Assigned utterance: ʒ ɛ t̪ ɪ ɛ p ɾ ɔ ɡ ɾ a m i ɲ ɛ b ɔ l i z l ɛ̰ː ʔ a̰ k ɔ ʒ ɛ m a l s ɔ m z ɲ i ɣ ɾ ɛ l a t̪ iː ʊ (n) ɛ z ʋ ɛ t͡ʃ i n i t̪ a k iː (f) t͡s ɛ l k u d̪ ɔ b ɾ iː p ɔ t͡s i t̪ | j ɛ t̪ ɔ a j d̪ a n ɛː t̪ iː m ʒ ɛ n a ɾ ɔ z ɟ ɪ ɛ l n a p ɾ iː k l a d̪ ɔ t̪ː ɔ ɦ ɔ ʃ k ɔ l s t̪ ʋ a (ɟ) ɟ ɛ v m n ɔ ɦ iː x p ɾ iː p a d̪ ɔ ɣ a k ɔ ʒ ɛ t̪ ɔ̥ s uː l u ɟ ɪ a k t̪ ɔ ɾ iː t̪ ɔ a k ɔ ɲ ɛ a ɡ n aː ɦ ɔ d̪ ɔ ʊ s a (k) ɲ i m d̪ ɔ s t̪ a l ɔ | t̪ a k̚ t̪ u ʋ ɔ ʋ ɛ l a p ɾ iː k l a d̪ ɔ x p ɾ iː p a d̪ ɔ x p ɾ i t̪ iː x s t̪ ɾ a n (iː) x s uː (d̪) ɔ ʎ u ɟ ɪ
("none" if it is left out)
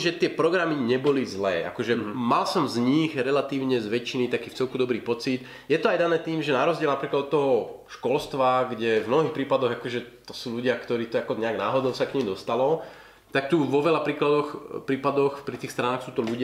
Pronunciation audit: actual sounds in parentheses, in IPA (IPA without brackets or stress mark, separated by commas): ɲ, f, ɡ, k, aː, t̪